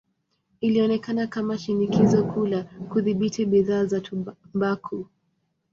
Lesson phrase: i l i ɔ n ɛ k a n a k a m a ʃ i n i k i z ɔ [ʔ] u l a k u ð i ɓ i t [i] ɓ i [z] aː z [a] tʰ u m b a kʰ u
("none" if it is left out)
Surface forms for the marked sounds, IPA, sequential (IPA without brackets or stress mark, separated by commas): k, i, ð, a